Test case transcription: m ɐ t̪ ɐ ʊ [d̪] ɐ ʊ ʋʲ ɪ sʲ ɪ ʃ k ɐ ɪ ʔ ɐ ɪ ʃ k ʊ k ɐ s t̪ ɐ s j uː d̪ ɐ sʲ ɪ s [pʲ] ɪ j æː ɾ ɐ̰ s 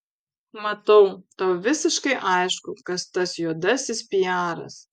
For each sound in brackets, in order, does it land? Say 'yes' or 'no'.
no, yes

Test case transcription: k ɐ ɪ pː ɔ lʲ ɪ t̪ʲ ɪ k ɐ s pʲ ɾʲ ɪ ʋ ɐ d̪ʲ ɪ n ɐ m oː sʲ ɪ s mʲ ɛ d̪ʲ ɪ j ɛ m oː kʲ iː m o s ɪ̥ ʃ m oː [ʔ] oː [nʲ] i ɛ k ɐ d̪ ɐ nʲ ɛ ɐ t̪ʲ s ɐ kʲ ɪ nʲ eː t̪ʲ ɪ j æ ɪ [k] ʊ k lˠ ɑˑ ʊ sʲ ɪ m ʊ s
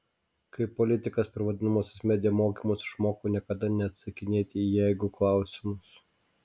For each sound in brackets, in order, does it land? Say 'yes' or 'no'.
no, yes, no

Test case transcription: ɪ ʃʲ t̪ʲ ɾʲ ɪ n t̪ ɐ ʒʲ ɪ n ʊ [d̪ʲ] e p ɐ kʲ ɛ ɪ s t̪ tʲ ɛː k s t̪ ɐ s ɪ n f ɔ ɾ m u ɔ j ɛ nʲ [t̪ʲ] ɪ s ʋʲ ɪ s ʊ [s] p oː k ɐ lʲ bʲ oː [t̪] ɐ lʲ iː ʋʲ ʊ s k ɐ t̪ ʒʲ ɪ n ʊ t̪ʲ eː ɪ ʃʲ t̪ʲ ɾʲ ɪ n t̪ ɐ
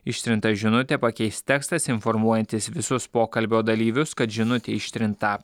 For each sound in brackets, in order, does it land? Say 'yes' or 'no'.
no, yes, yes, no

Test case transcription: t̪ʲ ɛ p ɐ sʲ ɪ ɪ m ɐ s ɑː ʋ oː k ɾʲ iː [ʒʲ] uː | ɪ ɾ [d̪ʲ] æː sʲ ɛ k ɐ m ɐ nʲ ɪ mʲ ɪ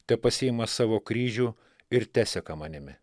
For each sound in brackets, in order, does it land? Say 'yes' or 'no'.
yes, no

